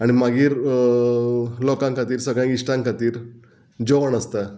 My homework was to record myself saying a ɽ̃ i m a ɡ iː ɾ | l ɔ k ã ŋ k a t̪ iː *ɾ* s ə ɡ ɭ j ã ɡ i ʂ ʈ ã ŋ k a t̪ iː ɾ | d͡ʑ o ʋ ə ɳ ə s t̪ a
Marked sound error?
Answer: no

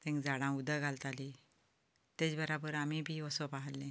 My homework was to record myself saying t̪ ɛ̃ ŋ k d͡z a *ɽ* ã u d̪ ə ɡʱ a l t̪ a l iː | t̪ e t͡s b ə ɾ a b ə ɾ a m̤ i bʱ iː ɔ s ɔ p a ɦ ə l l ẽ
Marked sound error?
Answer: no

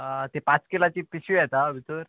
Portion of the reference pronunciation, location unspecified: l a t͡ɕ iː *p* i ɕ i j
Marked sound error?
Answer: no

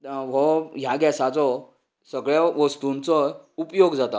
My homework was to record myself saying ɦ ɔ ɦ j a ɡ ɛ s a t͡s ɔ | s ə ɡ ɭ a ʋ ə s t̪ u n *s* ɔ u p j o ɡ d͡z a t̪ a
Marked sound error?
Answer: yes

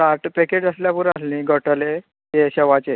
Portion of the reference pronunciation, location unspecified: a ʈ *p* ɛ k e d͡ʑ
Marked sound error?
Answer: no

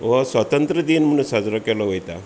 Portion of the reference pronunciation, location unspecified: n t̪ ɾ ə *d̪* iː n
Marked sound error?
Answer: no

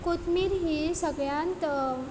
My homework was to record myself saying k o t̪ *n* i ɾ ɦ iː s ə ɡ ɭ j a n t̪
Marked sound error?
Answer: yes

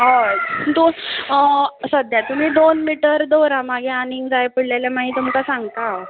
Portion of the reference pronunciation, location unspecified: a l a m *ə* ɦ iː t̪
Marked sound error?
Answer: yes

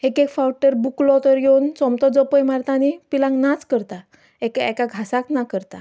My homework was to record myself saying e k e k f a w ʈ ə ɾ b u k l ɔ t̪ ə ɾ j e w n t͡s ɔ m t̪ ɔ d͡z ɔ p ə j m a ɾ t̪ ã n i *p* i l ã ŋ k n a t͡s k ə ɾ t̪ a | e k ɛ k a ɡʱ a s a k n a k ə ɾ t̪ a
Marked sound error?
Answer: no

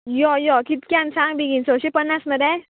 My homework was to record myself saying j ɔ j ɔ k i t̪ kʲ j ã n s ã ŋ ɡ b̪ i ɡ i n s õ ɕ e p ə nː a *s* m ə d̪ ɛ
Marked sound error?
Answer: no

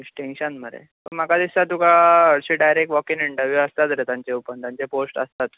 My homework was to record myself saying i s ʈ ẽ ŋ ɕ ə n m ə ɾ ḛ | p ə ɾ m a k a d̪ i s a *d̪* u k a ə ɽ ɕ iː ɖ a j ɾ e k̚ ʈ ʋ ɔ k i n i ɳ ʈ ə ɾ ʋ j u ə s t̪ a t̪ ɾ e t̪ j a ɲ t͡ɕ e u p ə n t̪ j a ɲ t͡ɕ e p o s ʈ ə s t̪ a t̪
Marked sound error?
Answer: yes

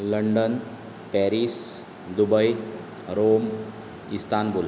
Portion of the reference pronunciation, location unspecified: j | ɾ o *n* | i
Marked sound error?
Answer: yes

